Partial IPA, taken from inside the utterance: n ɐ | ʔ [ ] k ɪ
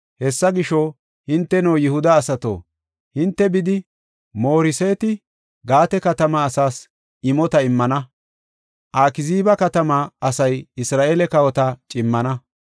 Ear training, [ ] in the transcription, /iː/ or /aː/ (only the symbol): aː